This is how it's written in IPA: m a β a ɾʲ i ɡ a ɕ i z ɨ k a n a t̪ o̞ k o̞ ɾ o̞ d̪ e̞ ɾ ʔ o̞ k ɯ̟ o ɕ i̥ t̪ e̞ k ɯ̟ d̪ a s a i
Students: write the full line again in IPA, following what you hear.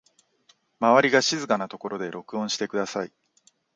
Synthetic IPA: m a β a ɾʲ i ɡ a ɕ i z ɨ k a n a t̪ o̞ k o̞ ɾ o̞ d̪ e̞ ɾ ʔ o̞ k ɯ̟ õ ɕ i̥ t̪ e̞ k ɯ̟ d̪ a s a i